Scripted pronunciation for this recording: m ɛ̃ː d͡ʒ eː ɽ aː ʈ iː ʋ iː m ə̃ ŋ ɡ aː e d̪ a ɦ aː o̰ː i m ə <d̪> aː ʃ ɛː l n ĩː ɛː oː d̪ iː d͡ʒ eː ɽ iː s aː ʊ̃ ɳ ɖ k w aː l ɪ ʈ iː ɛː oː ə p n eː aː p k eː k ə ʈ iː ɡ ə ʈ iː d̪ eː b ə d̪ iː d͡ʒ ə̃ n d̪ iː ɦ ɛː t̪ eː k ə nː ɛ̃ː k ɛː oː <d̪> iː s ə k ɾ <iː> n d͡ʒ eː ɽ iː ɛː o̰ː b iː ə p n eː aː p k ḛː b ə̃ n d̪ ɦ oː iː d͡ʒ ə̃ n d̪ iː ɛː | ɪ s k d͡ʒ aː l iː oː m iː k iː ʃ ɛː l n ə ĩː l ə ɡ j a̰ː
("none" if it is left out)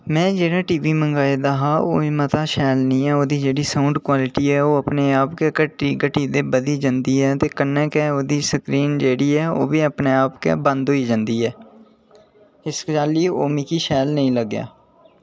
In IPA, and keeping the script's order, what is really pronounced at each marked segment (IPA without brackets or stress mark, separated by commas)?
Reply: t̪, d̪, iː